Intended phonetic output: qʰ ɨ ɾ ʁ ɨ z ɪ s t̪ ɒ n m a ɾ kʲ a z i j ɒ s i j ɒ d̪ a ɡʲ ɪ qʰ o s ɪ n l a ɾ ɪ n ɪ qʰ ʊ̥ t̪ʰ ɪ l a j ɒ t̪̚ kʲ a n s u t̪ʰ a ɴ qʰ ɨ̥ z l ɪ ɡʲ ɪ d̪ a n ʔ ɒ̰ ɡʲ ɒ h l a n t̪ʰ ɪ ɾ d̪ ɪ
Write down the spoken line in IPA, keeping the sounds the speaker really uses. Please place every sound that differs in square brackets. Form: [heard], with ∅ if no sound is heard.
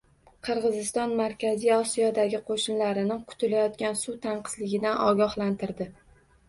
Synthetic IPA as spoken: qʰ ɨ ɾ ʁ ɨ z ɪ s t̪ ɒ n m a ɾ kʲ a z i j ɒ s i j ɒ d̪ a ɡʲ ɪ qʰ o [ʃ] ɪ n l a ɾ ɪ n ɪ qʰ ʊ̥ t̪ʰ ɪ l a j ɒ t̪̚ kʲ a n s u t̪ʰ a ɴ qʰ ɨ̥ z l ɪ ɡʲ ɪ d̪ a n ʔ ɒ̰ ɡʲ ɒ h l a n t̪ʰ ɪ ɾ d̪ ɪ